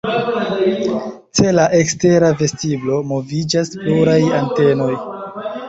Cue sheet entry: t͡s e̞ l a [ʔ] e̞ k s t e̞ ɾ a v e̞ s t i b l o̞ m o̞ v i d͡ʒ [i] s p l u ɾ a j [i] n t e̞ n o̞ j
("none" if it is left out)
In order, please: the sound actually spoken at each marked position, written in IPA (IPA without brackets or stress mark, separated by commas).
ʔ, a, a